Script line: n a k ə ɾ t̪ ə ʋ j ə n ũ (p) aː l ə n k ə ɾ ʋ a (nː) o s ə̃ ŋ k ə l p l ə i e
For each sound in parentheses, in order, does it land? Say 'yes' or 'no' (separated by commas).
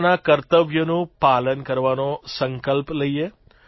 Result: yes, no